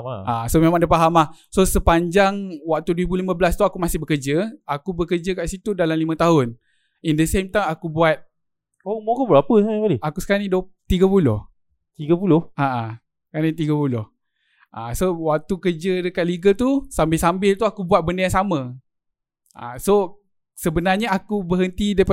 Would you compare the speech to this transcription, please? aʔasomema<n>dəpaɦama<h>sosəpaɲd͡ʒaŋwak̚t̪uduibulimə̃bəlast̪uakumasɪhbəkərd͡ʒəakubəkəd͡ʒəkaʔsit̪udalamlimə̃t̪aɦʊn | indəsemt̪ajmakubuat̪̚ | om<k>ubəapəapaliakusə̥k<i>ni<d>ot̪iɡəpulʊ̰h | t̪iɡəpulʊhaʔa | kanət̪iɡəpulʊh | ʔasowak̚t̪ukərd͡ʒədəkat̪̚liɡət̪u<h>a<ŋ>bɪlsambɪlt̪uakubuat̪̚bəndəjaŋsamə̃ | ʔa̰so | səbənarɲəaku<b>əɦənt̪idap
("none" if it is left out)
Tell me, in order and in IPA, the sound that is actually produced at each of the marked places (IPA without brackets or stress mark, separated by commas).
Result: ŋ, h, k, a, d, s, m, b